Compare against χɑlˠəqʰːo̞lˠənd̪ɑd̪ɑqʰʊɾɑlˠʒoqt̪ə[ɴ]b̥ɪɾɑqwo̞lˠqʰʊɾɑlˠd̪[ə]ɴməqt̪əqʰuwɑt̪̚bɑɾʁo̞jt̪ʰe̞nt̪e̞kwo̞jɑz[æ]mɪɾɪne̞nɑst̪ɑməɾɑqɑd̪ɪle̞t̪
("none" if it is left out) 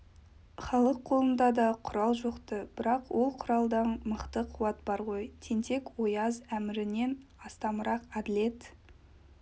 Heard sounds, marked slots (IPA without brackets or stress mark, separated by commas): none, ɑ, æ